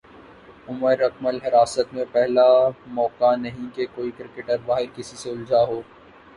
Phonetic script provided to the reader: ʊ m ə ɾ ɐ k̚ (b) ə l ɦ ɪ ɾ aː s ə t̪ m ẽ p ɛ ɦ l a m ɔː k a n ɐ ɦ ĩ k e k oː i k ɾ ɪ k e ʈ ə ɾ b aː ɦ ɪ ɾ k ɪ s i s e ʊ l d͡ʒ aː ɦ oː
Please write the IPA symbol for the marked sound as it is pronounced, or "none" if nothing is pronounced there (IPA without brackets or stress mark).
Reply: m